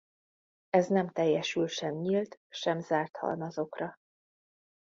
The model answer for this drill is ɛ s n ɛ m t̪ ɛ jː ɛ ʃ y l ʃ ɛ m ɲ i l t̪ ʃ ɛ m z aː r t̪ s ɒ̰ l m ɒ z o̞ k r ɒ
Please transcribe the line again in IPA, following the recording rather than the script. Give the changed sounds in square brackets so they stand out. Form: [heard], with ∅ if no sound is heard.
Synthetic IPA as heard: ɛ [z] n ɛ m t̪ ɛ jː ɛ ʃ y l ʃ ɛ m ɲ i l t̪ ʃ ɛ m z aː r t̪ [h] ɒ̰ l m ɒ z o̞ k r ɒ